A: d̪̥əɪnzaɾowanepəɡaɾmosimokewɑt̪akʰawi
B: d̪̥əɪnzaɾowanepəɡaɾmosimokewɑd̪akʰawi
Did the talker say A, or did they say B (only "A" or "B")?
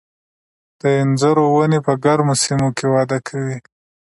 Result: B